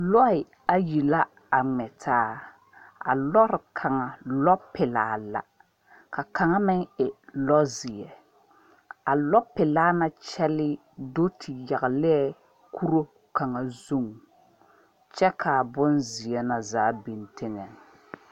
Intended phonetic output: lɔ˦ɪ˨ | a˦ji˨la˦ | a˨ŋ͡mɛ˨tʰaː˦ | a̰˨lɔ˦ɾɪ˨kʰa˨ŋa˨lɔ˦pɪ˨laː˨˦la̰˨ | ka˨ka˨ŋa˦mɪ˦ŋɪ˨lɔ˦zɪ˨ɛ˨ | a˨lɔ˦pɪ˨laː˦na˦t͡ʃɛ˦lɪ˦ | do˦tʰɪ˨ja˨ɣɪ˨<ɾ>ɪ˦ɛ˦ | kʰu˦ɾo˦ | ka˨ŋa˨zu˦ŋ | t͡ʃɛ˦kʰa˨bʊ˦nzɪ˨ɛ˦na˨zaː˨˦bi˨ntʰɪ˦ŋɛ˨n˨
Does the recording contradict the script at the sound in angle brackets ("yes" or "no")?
yes